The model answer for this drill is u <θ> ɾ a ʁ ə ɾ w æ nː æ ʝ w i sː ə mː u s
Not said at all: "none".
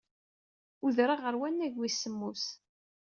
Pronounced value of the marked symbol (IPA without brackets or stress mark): ð